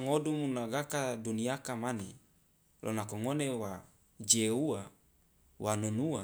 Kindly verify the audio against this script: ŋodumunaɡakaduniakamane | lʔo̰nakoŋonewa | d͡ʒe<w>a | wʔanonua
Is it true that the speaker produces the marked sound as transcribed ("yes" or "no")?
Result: no